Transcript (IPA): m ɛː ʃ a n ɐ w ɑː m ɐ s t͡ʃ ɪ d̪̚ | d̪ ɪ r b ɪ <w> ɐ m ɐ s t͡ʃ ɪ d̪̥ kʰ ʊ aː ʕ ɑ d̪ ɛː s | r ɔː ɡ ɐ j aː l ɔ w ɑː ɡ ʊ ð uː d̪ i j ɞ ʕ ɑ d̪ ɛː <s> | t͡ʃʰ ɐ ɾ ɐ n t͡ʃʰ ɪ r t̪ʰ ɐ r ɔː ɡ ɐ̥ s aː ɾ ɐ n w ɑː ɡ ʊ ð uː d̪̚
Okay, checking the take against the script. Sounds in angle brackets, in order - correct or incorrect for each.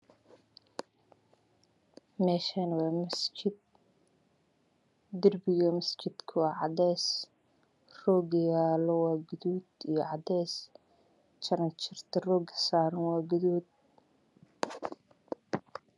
incorrect: ɣ, correct

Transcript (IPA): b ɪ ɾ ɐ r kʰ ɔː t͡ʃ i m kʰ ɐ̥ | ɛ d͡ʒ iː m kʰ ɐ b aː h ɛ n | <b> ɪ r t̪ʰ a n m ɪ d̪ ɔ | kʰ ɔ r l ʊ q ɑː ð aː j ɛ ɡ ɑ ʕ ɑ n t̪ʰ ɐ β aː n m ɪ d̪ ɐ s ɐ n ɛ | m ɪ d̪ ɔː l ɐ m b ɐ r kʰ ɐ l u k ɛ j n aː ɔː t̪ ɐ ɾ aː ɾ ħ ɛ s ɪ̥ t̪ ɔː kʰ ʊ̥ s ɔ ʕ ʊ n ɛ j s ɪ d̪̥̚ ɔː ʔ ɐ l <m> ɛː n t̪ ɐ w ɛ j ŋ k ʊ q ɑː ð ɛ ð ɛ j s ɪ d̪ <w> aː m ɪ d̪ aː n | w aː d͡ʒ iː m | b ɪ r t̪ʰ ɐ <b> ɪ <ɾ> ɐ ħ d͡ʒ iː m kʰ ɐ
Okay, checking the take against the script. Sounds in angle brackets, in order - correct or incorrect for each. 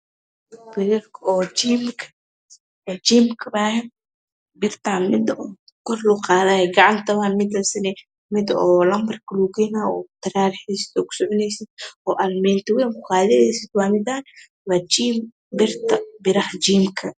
correct, correct, correct, correct, correct

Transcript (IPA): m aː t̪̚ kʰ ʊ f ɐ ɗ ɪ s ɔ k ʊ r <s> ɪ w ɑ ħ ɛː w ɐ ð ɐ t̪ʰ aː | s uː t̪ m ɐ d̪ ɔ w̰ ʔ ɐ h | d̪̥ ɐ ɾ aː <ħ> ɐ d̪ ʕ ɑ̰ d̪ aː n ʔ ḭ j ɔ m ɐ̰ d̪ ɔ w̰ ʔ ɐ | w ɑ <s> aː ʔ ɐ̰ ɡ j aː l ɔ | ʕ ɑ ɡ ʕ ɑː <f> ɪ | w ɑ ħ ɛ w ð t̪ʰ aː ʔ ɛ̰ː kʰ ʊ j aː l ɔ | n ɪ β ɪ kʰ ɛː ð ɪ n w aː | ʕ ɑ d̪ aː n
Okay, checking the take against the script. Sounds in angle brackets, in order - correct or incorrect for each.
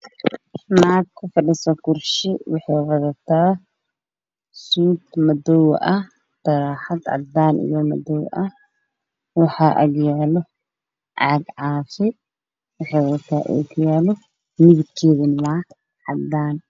incorrect: ʃ, correct, incorrect: ħ, correct

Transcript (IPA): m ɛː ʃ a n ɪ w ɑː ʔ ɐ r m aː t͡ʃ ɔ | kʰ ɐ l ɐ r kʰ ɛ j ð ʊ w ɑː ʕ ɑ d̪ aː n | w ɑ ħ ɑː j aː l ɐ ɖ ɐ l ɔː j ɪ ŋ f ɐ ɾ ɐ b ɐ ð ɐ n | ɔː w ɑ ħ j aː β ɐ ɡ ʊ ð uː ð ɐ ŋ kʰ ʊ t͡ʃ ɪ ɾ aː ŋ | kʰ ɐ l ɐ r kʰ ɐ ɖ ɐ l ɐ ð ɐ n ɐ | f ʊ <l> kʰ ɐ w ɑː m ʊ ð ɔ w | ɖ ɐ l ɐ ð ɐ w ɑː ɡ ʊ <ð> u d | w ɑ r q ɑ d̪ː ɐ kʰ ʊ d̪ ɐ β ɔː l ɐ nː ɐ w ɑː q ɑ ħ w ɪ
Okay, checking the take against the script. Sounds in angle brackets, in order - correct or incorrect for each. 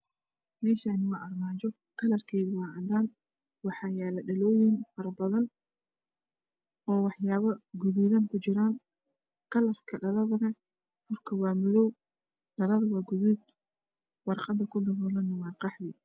incorrect: r, correct

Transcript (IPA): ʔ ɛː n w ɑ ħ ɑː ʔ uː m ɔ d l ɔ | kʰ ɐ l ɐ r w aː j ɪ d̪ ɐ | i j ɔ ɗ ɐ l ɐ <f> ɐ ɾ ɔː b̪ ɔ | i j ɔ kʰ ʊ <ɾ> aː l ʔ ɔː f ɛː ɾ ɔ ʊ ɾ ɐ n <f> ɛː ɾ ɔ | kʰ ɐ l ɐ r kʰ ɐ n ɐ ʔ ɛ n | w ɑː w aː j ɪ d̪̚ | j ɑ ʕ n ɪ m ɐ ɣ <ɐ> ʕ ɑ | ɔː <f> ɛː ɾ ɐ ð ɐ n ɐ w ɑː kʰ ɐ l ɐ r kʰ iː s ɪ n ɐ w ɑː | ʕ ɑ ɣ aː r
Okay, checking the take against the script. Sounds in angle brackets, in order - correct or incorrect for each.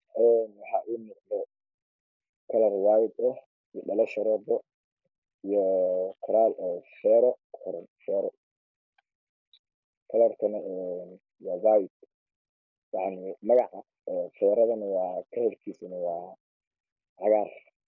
incorrect: ʃ, correct, correct, incorrect: ɑ, correct

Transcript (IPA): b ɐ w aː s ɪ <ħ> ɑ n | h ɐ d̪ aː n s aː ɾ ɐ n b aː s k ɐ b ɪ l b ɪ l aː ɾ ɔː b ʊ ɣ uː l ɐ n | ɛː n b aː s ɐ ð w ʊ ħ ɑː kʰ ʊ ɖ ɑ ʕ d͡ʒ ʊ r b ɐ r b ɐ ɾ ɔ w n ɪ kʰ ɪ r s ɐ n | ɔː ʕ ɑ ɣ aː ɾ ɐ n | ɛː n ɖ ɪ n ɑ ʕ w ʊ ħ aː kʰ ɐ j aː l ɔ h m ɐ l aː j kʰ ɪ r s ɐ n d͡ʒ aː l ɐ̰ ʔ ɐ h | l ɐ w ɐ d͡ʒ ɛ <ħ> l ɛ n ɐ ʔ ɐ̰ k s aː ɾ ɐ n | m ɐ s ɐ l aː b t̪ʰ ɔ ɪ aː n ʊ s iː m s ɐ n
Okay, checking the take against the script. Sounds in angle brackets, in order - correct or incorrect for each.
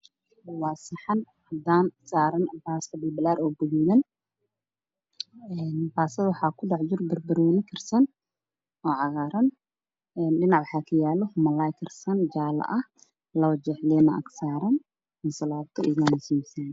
correct, correct

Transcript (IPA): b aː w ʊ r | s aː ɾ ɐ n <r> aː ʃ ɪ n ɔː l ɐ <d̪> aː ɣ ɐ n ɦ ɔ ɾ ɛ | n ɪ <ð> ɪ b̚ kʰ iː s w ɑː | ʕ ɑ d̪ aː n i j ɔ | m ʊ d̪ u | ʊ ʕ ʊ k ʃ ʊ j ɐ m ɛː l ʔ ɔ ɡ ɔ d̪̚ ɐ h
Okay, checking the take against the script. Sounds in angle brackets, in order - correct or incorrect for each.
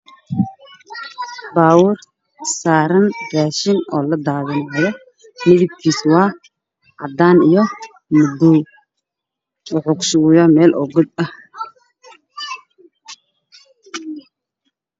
correct, correct, correct

